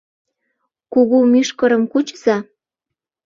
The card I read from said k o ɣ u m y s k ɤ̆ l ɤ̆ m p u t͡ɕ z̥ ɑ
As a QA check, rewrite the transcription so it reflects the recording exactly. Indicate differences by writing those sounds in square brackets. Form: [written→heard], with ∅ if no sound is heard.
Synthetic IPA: k [o→u] ɣ u m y [s→ʃ] k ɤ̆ [l→ɾ] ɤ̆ m [p→k] u t͡ɕ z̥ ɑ